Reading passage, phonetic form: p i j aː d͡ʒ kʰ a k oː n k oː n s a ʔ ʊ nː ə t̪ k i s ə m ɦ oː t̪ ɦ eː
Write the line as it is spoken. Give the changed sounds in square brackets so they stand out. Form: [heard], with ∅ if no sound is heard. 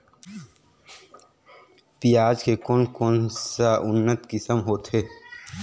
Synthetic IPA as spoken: p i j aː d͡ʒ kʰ [e] k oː n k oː n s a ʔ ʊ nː ə t̪ k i s ə m ɦ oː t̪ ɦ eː